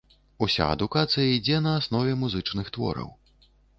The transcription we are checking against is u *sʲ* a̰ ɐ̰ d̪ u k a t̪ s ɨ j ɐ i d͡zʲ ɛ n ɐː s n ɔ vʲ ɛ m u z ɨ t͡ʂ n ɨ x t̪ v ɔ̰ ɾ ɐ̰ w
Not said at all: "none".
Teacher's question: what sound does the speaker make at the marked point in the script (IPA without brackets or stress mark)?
sʲ